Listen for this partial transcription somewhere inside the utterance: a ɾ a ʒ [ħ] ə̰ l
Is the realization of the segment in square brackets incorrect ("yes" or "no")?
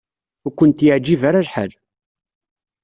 no